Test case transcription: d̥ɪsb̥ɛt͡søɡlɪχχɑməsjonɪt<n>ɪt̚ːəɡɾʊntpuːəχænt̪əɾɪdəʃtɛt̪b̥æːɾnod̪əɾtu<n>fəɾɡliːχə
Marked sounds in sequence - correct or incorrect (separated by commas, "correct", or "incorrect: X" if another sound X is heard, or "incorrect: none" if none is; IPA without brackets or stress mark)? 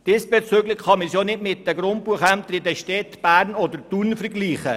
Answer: incorrect: m, correct